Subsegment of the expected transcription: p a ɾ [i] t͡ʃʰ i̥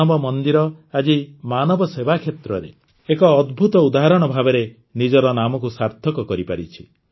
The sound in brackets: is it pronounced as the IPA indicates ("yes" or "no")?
yes